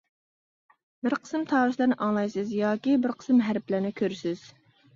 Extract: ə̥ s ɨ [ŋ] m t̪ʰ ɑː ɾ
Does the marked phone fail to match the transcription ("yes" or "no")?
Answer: yes